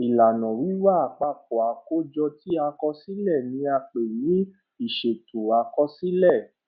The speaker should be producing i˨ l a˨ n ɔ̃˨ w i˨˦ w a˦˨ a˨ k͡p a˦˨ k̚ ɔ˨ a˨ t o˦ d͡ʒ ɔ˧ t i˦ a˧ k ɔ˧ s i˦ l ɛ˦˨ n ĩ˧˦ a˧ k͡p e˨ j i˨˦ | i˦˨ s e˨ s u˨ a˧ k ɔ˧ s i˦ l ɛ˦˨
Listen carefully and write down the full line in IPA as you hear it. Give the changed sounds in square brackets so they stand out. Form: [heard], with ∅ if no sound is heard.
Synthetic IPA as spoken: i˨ l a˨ n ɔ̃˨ w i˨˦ w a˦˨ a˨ k͡p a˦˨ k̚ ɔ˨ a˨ [k] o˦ d͡ʒ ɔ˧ t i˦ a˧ k ɔ˧ s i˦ l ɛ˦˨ n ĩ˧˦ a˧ k͡p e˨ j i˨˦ | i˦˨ [ʃ] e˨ [t] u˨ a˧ k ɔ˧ s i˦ l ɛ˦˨